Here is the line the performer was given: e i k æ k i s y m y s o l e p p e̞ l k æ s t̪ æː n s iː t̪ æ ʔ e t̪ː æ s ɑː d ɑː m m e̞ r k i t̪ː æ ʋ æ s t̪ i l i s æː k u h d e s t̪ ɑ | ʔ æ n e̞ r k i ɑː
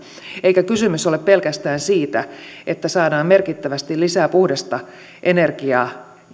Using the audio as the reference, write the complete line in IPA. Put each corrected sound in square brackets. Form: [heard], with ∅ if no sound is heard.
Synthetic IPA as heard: e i k æ k [y] s y m y s o l e p p e̞ l k æ s t̪ æː n s iː t̪ æ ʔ e t̪ː æ s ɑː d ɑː m m e̞ r k i t̪ː æ ʋ æ s t̪ i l i s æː [p] u h d e s t̪ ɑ | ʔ [e] n e̞ r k i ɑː